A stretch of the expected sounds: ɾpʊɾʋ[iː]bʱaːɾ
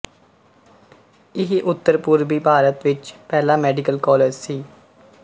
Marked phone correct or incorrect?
correct